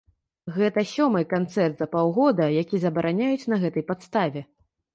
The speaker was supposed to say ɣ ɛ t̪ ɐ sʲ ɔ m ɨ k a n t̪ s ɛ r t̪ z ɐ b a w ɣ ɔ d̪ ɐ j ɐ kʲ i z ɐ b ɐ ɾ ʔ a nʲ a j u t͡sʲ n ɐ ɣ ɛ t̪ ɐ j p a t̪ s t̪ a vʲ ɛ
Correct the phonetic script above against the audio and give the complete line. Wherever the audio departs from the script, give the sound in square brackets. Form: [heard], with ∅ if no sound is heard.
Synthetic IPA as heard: ɣ ɛ t̪ ɐ sʲ ɔ m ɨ k a n t̪ s ɛ r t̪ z ɐ [p] a w ɣ ɔ d̪ ɐ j [a] kʲ i z ɐ b ɐ ɾ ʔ a nʲ a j u t͡sʲ n ɐ ɣ ɛ t̪ ɐ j p a t̪ s t̪ a vʲ ɛ